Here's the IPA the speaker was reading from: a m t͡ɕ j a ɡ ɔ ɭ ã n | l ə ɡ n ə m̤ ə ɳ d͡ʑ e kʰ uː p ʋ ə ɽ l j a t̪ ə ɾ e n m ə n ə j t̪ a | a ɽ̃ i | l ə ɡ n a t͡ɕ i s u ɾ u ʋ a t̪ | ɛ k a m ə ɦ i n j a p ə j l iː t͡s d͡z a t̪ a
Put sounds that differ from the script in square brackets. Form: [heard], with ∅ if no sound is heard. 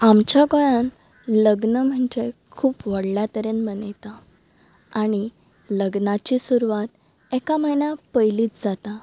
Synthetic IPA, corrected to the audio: a m t͡ɕ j a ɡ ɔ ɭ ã n | l ə ɡ n ə m̤ ə ɳ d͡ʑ e kʰ uː p ʋ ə ɽ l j a t̪ ə ɾ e n m ə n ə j t̪ a | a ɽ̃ i | l ə ɡ n a t͡ɕ i s u ɾ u ʋ a t̪ | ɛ k a m ə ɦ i n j a p ə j l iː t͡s d͡z a t̪ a